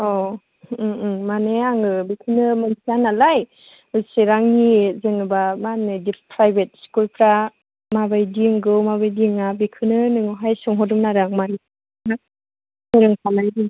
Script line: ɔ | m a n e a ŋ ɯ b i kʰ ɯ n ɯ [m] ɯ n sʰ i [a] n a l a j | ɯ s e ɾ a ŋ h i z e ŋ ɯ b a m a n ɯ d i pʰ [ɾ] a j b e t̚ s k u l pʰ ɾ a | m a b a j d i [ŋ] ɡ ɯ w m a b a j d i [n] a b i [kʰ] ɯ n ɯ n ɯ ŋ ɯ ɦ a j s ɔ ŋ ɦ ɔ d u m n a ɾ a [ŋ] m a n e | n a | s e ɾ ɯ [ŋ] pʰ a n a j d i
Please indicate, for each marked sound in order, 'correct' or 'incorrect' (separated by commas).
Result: correct, correct, correct, correct, incorrect, correct, correct, correct